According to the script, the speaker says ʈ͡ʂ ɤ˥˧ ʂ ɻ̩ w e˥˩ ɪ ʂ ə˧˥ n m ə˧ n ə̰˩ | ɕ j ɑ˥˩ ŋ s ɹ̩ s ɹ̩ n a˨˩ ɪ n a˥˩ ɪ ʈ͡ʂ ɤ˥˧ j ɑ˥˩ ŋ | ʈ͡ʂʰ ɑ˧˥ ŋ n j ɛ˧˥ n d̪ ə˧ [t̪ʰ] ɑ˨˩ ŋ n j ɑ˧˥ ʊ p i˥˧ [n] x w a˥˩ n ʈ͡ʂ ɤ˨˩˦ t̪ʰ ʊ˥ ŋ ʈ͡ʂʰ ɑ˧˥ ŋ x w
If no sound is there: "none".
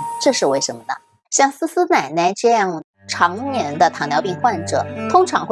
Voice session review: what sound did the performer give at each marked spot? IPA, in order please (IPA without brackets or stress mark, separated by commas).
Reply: t̪ʰ, ŋ